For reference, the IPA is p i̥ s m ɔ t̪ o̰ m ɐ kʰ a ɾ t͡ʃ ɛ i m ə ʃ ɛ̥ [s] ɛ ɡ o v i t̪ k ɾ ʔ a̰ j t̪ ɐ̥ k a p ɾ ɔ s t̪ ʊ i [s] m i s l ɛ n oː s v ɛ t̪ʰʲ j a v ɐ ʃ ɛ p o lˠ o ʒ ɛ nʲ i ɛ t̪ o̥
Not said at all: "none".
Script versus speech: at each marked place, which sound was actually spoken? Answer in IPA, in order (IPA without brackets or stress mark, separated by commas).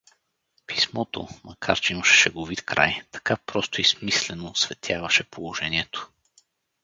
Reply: ʃ, s